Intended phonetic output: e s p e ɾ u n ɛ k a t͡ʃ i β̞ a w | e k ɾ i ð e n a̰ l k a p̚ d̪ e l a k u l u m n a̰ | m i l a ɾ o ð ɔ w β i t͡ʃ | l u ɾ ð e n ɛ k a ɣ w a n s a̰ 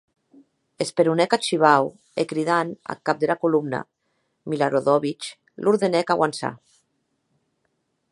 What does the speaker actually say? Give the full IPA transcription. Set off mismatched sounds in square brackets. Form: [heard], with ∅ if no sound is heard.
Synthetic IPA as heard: e s p e ɾ u n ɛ k a t͡ʃ i β̞ a w | e k ɾ i ð [a] n a̰ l k a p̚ d̪ e l a k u l u m n a̰ | m i l a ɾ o ð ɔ [∅] β i t͡ʃ | l u ɾ ð e n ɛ k a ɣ w a n s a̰